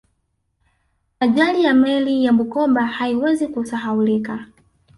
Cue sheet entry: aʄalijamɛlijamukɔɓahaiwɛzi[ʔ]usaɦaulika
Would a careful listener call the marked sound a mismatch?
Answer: yes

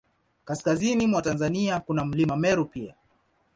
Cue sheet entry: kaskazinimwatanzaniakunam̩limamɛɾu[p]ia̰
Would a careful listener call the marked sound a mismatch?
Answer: no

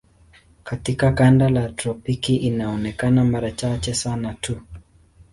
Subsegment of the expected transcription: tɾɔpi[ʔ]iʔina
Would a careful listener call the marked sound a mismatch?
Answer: yes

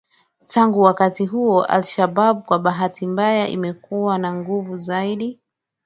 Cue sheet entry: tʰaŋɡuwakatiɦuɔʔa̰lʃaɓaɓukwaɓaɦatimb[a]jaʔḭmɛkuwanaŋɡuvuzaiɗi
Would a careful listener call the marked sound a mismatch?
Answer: no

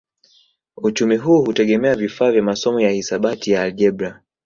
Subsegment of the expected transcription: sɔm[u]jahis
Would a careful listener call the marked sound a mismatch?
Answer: yes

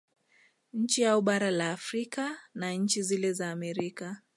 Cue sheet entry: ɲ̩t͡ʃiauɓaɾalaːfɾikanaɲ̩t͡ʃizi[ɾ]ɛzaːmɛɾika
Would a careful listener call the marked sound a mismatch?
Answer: yes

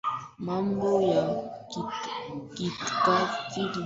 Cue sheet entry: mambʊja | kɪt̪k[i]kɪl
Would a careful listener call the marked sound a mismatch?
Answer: yes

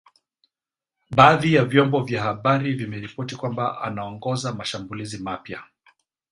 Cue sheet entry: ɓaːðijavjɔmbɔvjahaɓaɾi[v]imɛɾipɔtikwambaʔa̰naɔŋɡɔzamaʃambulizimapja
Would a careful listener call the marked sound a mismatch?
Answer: no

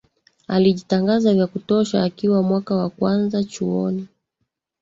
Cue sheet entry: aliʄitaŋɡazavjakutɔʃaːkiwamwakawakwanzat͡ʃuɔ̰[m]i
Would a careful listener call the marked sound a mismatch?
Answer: yes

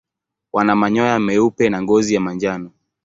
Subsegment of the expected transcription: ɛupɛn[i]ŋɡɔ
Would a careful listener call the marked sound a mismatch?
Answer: yes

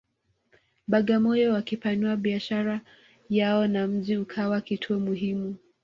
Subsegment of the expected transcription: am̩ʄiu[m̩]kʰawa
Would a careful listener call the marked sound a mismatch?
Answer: yes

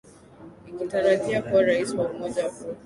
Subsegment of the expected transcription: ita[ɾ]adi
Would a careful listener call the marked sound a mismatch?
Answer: no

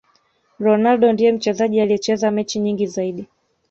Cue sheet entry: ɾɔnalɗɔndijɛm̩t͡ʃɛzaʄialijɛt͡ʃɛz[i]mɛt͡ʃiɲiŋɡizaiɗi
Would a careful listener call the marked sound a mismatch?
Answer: yes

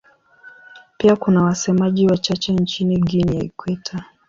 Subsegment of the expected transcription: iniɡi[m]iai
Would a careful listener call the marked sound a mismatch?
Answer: yes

